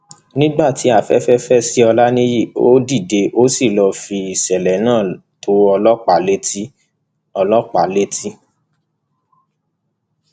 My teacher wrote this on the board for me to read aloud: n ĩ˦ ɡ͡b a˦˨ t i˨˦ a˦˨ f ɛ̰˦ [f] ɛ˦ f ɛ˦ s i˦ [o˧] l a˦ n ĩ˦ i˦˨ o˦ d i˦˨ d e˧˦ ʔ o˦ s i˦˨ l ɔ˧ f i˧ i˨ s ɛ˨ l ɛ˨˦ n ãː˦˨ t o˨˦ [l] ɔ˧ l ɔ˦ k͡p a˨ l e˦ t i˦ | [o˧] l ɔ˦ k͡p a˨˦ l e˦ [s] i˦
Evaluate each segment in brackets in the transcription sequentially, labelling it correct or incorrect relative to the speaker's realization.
correct, incorrect: ɔ˧, incorrect: none, incorrect: ɔ˧, incorrect: t

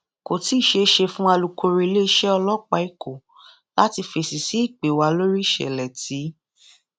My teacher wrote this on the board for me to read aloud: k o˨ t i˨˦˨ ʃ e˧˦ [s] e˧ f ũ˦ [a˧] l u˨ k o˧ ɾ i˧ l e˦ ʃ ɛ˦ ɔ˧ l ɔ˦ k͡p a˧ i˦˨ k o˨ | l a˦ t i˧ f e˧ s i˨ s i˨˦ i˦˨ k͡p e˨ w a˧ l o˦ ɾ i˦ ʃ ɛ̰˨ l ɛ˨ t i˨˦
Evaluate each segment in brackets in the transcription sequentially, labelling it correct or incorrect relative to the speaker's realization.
incorrect: ʃ, correct

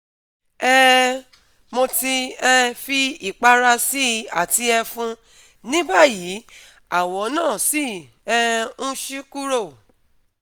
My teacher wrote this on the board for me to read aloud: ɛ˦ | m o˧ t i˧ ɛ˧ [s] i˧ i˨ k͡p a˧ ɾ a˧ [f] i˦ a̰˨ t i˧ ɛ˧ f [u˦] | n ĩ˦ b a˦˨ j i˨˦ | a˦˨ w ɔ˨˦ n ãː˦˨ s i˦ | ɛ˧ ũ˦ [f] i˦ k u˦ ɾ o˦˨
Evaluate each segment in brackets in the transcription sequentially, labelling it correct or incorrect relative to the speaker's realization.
incorrect: f, incorrect: s, incorrect: ũ˦, incorrect: ʃ

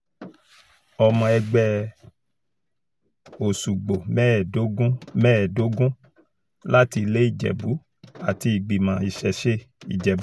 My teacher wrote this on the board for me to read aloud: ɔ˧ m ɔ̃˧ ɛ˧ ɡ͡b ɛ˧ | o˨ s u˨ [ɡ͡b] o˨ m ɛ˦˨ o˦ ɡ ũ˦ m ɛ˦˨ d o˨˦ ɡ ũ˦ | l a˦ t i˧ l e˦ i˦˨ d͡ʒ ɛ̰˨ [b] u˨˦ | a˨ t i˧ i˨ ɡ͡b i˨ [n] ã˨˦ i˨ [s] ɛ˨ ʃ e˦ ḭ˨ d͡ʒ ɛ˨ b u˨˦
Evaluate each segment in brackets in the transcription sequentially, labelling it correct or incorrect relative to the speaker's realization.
correct, correct, incorrect: m, incorrect: ʃ

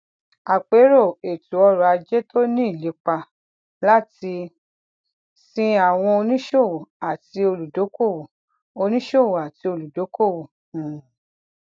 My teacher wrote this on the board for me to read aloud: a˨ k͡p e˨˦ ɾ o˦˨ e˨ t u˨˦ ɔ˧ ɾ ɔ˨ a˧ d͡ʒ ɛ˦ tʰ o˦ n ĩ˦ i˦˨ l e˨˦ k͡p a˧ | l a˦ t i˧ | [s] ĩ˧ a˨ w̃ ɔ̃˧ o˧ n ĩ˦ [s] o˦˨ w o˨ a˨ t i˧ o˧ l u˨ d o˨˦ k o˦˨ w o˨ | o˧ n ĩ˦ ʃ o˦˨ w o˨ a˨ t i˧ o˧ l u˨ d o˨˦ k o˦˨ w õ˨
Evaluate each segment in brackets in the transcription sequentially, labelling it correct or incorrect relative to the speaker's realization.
correct, incorrect: ʃ

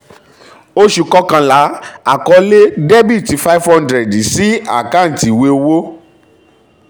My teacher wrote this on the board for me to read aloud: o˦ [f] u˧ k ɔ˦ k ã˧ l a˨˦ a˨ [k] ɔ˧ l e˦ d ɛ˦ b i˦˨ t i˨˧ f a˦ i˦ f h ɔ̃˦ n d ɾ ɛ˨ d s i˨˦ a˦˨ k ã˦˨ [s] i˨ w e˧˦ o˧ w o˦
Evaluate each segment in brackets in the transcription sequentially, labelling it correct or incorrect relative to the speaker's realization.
incorrect: ʃ, correct, incorrect: t

